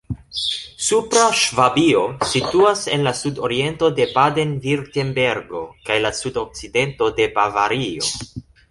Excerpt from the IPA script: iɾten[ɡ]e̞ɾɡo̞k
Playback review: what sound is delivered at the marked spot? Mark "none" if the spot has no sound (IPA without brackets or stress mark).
b